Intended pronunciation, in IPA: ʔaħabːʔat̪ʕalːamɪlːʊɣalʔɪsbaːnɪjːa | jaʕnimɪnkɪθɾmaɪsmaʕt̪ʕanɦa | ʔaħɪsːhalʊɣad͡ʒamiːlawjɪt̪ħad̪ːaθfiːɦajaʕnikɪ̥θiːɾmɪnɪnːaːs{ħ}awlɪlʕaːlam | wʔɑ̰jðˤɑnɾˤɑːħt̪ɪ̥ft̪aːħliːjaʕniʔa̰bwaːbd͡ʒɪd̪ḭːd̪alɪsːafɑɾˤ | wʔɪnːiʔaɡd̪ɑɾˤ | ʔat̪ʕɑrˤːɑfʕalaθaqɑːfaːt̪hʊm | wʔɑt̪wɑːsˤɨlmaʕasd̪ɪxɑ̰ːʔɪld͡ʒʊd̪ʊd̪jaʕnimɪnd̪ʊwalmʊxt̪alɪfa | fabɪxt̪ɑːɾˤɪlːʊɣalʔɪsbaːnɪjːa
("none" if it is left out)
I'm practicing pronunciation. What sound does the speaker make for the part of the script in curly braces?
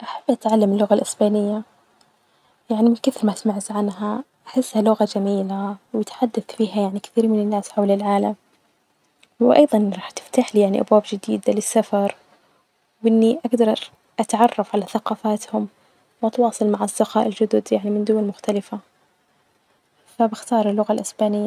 ħ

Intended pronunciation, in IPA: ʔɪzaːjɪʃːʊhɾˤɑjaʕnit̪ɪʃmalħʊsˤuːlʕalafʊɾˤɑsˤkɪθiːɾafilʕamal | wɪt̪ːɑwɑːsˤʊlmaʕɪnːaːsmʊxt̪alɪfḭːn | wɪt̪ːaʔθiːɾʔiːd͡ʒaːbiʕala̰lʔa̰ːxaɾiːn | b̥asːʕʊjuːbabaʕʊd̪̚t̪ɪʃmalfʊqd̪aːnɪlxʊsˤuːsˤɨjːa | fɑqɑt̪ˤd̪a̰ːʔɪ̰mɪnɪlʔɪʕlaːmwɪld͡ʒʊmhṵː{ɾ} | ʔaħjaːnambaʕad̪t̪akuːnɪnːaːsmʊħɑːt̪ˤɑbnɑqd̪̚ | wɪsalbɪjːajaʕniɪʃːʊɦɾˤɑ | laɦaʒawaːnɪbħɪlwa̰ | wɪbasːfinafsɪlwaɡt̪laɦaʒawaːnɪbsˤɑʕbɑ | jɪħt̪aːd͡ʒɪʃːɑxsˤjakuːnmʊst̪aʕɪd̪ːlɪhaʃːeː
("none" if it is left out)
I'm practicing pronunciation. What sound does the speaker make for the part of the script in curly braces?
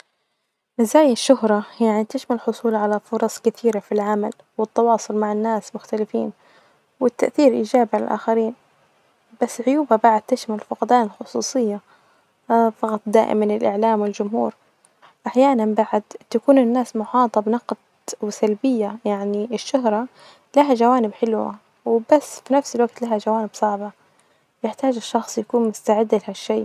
ɾ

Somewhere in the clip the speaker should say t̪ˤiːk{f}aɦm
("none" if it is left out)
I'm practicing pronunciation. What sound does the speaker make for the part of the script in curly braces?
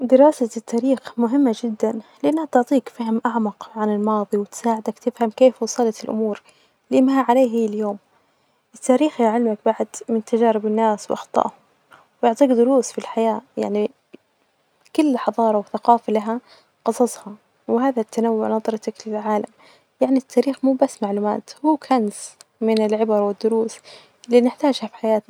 f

